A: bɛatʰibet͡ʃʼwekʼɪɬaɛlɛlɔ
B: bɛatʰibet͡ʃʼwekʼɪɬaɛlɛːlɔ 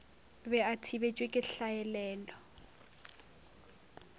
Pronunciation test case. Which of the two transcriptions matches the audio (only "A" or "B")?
B